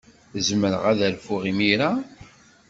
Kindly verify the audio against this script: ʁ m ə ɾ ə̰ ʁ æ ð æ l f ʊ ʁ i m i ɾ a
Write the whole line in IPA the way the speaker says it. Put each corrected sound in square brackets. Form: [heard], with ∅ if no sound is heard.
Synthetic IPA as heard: [z] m ə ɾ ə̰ ʁ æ ð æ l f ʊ ʁ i m i ɾ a